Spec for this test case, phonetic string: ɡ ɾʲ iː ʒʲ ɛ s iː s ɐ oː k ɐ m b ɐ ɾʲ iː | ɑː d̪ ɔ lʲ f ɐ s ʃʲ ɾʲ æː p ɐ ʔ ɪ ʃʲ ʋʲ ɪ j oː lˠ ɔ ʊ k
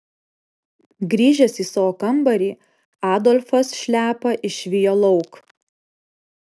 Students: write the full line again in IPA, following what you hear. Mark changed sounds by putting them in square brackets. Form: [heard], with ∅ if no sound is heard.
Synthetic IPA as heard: ɡ ɾʲ iː ʒʲ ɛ s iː s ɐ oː k ɐ m b ɐ ɾʲ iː | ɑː d̪ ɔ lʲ f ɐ s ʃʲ [lʲ] æː p ɐ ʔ ɪ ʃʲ ʋʲ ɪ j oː lˠ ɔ ʊ k